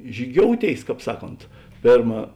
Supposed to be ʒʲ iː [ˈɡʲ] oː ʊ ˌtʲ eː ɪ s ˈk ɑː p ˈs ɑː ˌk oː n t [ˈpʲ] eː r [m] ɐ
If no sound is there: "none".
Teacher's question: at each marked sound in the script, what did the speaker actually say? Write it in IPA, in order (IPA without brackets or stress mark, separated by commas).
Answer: ɡʲ, pʲ, m